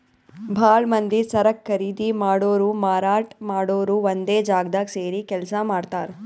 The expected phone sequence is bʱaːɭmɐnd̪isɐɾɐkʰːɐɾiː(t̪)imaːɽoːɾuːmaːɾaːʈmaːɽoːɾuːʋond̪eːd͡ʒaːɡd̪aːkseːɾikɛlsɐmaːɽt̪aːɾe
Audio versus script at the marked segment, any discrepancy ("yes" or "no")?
yes